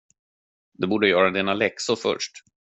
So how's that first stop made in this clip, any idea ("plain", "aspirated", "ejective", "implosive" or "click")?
plain